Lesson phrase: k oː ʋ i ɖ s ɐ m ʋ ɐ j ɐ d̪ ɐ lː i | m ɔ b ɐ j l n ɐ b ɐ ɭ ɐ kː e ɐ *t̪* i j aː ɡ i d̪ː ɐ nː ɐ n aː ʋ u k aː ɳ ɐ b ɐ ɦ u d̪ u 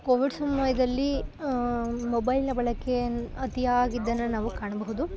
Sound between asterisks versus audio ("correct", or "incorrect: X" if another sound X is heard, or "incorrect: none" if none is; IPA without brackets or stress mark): correct